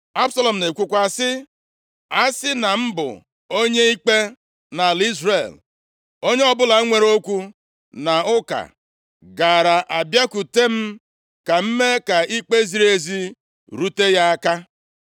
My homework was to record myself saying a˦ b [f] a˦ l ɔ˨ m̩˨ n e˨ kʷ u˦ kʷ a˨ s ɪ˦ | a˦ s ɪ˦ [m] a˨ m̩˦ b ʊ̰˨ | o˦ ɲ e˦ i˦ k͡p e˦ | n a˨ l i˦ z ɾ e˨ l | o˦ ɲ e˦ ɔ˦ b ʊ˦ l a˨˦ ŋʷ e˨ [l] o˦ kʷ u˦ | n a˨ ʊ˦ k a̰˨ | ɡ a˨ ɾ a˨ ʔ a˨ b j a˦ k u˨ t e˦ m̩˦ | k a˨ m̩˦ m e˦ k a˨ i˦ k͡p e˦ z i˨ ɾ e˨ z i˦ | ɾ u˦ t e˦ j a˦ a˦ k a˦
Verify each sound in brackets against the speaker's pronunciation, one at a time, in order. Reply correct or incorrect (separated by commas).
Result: incorrect, incorrect, incorrect